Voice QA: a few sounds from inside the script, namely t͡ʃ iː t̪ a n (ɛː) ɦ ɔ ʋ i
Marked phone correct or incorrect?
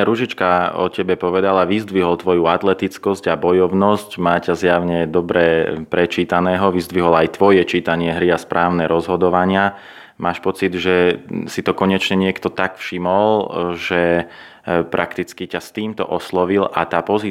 correct